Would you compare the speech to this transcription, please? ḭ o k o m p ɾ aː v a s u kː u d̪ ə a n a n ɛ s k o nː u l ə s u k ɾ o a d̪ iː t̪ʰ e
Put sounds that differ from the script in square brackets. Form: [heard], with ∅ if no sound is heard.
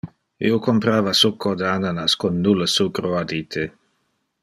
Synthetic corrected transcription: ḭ o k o m p ɾ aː v a s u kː [o] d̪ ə a n a n [a] s k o nː u l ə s u k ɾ o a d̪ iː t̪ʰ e